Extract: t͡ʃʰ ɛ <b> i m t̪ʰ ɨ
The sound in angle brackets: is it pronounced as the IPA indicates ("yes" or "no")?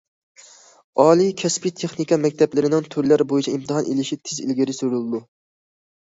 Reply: no